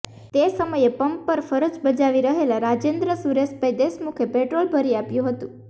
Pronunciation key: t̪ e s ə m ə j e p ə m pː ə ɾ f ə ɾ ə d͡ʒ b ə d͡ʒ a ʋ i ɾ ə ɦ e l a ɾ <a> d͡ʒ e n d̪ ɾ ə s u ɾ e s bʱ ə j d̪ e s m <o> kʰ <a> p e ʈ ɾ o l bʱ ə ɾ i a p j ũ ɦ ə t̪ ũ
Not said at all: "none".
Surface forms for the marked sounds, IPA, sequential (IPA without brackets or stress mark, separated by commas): a, u, e